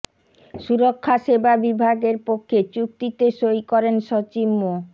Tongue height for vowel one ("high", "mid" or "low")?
high